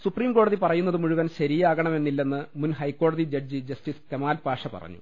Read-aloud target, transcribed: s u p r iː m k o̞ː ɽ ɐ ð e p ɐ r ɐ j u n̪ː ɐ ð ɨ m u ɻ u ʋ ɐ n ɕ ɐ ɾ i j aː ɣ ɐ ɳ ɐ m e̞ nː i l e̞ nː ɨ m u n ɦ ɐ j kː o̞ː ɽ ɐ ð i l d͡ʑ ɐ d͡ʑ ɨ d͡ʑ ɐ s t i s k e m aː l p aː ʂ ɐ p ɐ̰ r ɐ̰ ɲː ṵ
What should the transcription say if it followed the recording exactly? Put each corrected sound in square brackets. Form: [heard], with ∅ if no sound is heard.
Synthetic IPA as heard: s u p r iː m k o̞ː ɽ ɐ ð [i] p ɐ r ɐ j u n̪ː ɐ ð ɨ m u ɻ u ʋ ɐ n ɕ ɐ ɾ i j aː ɣ ɐ ɳ ɐ m e̞ nː i [lː] e̞ nː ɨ m u n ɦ ɐ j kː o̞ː ɽ ɐ ð i [∅] d͡ʑ ɐ d͡ʑ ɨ d͡ʑ ɐ s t i s k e m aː l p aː ʂ ɐ p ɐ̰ r ɐ̰ ɲː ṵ